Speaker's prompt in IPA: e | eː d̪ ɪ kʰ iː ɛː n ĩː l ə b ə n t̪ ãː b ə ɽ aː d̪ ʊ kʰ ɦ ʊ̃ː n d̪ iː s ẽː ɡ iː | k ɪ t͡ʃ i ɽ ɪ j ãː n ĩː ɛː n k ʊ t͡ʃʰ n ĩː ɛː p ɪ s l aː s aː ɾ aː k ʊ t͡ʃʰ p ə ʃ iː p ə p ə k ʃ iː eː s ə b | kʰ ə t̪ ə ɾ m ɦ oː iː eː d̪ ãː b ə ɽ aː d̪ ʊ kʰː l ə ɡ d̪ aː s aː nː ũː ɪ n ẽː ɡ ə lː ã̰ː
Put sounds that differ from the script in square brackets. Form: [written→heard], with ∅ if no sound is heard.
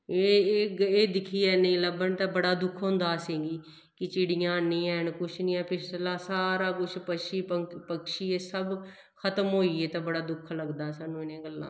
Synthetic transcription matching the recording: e | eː d̪ ɪ kʰ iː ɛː n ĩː l ə b ə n t̪ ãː b ə ɽ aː d̪ ʊ kʰ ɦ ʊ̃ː n d̪ [iː→aː] s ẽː ɡ iː | k ɪ t͡ʃ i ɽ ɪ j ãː n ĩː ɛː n k ʊ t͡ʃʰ n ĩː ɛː p ɪ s l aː s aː ɾ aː k ʊ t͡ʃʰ p ə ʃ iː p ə p ə k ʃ iː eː s ə b | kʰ ə t̪ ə [ɾ→∅] m ɦ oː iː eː [d̪→t̪] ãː b ə ɽ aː d̪ ʊ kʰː l ə ɡ d̪ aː s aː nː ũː ɪ n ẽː ɡ ə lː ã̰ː